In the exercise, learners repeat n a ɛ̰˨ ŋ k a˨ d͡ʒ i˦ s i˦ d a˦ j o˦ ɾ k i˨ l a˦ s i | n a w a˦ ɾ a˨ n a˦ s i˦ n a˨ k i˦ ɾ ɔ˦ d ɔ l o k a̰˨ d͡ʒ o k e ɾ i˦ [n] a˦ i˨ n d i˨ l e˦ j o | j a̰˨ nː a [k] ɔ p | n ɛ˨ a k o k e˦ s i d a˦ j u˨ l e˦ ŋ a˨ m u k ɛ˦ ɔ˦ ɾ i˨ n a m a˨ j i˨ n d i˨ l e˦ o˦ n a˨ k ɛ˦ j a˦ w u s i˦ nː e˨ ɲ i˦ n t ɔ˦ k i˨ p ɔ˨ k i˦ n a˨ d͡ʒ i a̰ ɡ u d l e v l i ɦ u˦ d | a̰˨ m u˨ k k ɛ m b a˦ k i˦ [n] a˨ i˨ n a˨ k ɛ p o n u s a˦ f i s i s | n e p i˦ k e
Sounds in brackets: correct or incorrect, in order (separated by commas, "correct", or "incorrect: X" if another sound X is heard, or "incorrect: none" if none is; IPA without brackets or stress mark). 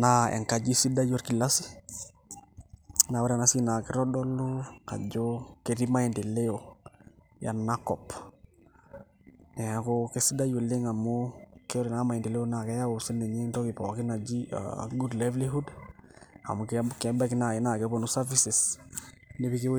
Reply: incorrect: m, correct, correct